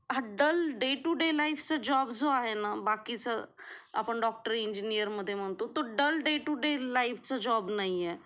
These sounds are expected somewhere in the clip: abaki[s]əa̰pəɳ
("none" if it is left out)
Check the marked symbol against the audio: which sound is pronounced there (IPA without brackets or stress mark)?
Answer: t͡s